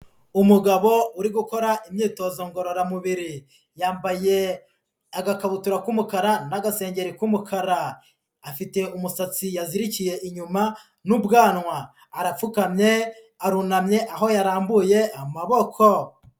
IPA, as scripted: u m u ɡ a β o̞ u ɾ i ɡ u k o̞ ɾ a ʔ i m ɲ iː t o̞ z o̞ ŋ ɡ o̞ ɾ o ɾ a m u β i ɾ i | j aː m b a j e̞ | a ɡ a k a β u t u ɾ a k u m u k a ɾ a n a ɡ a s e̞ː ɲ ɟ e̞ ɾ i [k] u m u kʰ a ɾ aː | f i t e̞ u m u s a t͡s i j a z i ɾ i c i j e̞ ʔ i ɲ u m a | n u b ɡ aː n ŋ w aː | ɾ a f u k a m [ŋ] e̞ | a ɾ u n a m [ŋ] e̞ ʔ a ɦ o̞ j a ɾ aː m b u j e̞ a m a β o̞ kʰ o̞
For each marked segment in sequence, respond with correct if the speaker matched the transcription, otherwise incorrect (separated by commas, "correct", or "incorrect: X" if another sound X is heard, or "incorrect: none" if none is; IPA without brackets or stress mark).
correct, incorrect: ɲ, incorrect: ɲ